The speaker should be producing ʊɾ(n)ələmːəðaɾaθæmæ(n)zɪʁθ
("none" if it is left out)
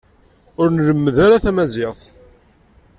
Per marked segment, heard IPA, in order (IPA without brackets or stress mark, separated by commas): n, none